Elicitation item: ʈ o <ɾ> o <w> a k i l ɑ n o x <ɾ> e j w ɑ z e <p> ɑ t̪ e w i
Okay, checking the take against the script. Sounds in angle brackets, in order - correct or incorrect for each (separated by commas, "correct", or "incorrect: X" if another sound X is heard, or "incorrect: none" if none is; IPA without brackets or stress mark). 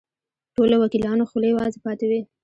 incorrect: l, correct, incorrect: l, correct